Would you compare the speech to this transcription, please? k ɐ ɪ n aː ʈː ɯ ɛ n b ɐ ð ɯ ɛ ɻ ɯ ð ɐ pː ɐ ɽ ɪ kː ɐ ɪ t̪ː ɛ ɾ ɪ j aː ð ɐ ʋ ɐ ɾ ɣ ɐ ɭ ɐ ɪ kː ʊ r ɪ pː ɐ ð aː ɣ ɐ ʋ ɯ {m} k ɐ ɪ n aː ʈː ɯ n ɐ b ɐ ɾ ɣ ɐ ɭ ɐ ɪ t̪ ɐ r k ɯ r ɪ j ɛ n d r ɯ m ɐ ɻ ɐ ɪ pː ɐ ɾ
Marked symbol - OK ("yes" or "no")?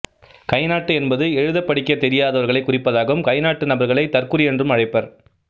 yes